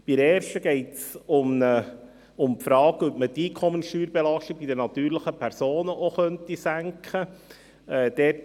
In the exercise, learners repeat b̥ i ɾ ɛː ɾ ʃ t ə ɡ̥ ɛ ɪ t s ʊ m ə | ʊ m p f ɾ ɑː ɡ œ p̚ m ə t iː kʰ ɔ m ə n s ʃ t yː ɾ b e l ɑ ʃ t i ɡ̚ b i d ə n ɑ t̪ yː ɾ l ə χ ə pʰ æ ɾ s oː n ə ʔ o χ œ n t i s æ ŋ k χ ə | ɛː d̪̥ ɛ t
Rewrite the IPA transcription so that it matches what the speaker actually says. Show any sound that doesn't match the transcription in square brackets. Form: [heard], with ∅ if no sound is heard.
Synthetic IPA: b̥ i ɾ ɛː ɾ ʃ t ə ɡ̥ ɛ ɪ t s ʊ m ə | ʊ m p f ɾ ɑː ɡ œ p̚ m ə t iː kʰ ɔ m ə n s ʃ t yː ɾ b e l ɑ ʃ t i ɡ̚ b i d ə n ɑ t̪ yː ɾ l ə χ ə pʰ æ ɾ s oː n ə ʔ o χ œ n t i s æ ŋ k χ ə | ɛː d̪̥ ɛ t